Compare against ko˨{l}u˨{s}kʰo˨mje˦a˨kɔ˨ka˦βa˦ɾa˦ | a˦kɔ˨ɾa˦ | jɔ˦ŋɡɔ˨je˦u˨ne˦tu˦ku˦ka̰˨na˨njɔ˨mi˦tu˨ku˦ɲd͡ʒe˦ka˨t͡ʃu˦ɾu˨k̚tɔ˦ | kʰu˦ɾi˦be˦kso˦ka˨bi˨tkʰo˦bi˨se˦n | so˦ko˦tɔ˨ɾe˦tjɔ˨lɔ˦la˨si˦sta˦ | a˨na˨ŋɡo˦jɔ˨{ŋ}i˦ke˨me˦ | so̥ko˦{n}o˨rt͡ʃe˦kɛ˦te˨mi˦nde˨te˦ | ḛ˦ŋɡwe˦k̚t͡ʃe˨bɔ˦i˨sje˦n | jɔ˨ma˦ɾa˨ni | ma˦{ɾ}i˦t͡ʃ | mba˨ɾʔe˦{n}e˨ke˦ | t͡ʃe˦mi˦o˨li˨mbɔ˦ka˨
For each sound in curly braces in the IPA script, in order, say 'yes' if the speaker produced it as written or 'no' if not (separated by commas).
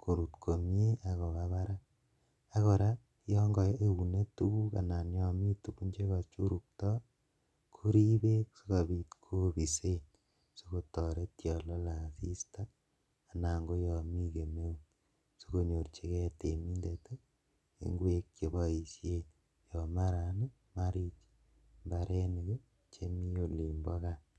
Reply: no, no, no, no, yes, yes